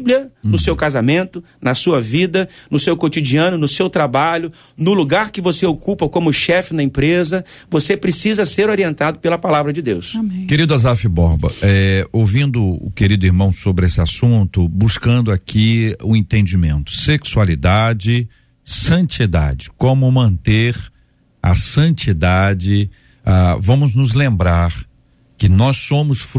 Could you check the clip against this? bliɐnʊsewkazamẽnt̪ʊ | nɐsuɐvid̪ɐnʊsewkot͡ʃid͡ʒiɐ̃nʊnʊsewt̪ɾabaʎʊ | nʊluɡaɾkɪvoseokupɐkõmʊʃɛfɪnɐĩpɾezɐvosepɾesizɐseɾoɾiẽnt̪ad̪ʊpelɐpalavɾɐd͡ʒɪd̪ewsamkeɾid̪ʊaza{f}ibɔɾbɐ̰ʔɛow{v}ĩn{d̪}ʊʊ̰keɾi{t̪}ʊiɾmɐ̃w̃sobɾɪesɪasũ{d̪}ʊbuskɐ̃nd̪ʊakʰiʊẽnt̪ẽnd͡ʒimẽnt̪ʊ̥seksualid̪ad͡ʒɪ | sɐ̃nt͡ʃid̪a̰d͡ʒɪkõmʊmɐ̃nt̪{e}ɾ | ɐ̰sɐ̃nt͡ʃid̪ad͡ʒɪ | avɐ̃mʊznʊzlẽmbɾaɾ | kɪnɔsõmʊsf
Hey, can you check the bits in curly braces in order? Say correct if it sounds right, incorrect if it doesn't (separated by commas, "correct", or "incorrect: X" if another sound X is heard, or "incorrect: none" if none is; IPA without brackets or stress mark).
correct, correct, correct, incorrect: d̪, incorrect: t̪, correct